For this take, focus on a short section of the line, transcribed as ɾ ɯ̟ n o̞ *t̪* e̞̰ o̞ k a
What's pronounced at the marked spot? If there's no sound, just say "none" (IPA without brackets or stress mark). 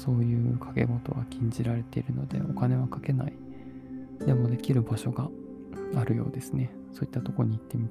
d̪